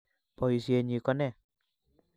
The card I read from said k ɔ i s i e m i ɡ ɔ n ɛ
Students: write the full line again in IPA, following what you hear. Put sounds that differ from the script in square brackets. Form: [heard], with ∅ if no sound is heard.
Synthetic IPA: [p] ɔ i s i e [ɲ] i [k] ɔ n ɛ